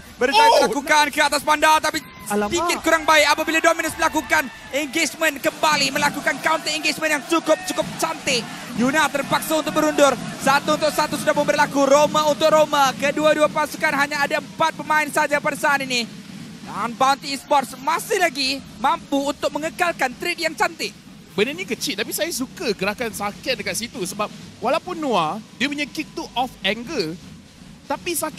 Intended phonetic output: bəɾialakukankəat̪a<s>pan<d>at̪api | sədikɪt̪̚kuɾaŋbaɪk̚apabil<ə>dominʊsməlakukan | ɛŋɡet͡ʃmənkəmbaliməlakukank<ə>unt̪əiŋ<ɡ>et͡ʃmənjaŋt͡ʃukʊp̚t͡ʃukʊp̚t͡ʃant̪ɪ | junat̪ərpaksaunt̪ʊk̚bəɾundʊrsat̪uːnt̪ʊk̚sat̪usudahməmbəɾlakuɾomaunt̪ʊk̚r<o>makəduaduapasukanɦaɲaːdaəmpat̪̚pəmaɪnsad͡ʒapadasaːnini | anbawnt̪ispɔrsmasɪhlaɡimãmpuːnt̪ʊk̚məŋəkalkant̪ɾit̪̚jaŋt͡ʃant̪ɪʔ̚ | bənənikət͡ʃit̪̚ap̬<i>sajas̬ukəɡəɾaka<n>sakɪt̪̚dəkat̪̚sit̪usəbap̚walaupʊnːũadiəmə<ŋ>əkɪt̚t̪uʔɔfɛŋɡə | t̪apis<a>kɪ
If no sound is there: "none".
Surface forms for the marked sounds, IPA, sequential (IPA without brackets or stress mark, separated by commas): s, d, a, a, ɡ, o, i, n, ɲ, a